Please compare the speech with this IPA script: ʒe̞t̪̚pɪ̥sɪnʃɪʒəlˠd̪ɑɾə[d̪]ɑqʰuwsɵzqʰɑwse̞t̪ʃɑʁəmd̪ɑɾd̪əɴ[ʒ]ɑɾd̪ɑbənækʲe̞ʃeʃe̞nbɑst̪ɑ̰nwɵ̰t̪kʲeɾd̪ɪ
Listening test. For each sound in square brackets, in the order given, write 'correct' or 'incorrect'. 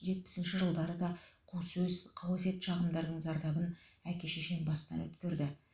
correct, incorrect: z

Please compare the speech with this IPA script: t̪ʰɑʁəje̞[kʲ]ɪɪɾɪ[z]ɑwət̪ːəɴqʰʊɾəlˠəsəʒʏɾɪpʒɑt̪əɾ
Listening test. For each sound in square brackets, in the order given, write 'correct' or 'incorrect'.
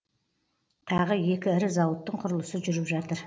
correct, correct

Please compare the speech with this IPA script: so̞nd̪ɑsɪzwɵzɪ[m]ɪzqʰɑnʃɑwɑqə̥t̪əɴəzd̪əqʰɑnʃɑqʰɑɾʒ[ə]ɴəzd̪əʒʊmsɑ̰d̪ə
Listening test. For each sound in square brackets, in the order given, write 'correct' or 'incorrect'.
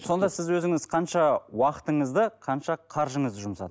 incorrect: ŋ, correct

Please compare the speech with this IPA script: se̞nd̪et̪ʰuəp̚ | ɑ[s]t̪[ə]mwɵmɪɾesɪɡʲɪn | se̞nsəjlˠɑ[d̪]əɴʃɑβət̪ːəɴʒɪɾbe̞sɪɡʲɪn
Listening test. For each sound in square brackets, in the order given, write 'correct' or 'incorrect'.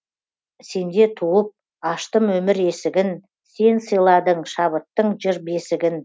incorrect: ʃ, correct, correct

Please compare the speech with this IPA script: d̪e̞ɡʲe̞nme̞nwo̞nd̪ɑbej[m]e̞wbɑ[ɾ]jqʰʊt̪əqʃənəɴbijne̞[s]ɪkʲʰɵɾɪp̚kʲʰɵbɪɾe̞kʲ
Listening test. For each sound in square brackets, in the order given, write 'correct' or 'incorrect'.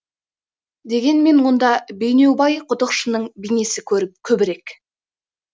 incorrect: n, incorrect: none, correct

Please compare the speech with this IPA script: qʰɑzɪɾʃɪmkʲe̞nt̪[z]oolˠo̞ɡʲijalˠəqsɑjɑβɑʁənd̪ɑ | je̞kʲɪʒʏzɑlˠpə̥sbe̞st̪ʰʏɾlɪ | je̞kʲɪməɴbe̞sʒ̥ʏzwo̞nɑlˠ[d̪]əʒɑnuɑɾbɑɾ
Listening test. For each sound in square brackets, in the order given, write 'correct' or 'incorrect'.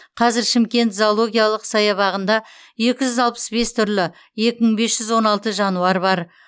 correct, incorrect: t̪

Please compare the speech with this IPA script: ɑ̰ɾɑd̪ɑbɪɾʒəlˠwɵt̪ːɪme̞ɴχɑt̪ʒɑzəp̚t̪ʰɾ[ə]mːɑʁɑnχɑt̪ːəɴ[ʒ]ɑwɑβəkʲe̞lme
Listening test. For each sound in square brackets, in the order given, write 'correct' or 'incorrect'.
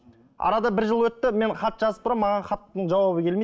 incorrect: ɑ, correct

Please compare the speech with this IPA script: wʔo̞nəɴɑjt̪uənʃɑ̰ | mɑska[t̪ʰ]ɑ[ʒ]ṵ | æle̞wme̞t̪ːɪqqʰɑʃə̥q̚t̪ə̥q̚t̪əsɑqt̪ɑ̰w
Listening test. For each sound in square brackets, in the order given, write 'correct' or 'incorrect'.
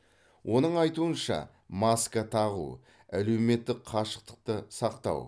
correct, incorrect: ʁ

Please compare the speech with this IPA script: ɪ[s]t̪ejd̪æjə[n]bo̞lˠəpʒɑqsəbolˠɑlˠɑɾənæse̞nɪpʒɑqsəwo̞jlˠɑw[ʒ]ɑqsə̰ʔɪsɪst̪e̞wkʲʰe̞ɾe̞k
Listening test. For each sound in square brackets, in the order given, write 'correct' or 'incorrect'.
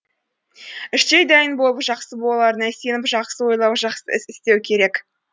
incorrect: ʃ, correct, correct

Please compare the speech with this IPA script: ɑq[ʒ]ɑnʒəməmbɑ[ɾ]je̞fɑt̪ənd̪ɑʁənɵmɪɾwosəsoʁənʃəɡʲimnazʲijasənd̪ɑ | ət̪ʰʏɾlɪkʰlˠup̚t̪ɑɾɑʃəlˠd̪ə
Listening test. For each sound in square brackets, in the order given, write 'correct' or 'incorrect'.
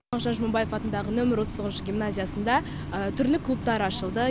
correct, incorrect: none

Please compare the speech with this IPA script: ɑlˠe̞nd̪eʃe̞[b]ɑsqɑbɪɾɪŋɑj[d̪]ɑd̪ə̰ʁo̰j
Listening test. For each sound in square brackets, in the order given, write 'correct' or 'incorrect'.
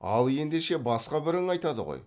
correct, incorrect: t̪

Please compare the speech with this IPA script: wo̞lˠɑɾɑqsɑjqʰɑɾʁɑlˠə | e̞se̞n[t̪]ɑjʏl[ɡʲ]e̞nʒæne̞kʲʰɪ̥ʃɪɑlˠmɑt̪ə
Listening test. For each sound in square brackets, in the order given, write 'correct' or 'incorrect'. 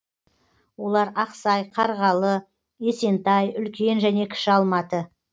correct, incorrect: kʲ

